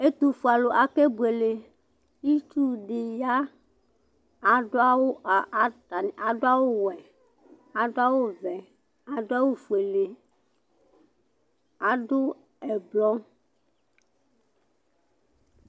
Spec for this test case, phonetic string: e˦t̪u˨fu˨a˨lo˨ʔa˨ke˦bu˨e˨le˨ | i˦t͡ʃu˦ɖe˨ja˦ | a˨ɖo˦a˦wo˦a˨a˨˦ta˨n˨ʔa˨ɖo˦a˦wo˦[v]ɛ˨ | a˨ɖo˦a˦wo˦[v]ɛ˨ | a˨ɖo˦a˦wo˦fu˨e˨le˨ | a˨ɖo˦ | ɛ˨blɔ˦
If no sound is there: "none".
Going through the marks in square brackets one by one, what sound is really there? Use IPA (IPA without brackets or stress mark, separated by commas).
w, v